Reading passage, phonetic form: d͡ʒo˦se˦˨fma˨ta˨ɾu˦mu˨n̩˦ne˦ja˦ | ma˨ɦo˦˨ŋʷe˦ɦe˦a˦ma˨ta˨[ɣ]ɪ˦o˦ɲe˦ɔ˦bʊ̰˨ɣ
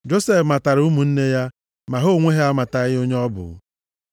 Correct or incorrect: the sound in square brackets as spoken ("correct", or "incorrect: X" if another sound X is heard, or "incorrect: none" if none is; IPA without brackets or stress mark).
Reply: correct